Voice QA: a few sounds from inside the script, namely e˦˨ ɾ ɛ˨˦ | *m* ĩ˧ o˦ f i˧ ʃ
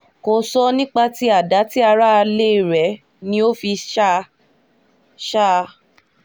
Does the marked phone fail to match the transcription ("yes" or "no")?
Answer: yes